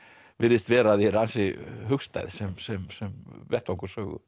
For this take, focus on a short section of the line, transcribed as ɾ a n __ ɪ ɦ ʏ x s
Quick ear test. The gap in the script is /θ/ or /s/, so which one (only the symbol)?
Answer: s